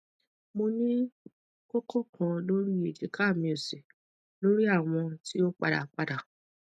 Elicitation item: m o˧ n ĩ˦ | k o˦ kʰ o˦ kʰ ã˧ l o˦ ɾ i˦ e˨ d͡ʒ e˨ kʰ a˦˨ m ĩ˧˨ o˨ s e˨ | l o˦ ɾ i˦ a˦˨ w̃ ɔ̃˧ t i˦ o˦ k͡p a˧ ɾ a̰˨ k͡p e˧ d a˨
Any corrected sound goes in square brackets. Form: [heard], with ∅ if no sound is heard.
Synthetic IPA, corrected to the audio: m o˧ n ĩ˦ | k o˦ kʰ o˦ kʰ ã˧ l o˦ ɾ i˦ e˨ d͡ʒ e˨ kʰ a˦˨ m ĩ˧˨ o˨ s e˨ | l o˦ ɾ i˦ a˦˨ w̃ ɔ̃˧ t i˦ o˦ k͡p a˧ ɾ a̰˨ k͡p [a˧] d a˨